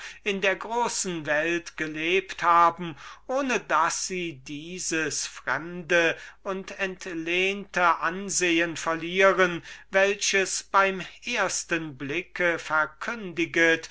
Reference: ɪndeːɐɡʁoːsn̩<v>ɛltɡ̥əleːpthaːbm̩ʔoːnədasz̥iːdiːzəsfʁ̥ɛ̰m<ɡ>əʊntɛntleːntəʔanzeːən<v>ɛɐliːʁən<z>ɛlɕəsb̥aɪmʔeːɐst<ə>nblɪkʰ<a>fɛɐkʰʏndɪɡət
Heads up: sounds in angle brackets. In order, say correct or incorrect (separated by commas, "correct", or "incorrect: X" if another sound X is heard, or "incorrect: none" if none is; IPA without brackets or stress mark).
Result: correct, incorrect: d, incorrect: f, incorrect: v, correct, incorrect: ə